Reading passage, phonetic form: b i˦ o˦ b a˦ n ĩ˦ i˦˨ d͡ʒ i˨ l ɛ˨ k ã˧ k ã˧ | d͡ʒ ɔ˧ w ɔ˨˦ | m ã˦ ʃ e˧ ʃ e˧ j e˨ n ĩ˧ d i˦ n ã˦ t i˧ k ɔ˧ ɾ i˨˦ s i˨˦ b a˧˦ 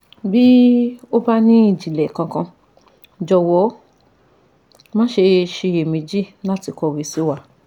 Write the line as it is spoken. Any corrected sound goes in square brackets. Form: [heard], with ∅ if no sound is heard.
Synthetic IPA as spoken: b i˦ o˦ b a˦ n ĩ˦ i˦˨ d͡ʒ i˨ l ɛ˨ k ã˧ k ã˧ | d͡ʒ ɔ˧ w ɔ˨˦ | m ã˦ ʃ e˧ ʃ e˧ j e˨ [m] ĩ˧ [d͡ʒ] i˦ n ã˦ t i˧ k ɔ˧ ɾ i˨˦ s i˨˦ [w] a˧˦